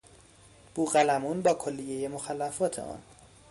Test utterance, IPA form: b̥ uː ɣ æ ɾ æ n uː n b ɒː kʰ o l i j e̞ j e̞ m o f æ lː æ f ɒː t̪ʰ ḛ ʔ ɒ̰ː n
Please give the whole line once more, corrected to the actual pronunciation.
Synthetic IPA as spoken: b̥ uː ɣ æ l æ m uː n b ɒː kʰ o lː i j e̞ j e̞ m o x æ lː æ f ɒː t̪ʰ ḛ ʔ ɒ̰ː n